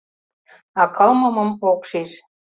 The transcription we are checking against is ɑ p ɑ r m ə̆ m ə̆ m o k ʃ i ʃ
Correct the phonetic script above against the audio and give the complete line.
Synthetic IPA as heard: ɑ k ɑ l m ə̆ m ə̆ m o k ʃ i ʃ